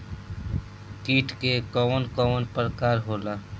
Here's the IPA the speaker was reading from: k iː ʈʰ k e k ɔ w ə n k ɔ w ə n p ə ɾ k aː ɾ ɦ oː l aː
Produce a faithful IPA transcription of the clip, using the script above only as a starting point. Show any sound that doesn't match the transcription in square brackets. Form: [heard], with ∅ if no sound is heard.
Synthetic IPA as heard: k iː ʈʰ k e k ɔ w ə n k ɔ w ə n p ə ɾ k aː ɾ ɦ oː l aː